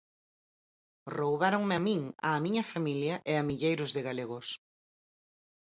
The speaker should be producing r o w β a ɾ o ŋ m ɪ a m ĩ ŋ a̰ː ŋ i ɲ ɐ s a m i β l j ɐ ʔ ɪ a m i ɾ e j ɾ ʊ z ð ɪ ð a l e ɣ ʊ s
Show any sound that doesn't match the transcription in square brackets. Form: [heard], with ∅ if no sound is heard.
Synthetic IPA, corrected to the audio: r o w β a ɾ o ŋ m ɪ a m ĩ ŋ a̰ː [m] i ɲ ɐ [f] a m i [∅] l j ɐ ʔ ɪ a m i [ʎ] e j ɾ ʊ z ð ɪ [ɣ] a l e ɣ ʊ s